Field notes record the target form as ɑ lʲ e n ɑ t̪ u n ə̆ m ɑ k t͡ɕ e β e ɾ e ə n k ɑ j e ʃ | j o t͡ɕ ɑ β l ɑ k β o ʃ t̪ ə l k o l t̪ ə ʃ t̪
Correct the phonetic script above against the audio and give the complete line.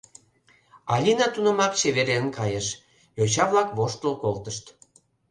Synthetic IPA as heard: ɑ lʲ i n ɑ t̪ u n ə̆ m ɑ k t͡ɕ e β e ɾ e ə n k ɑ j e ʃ | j o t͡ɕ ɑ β l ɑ k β o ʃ t̪ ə l k o l t̪ ə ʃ t̪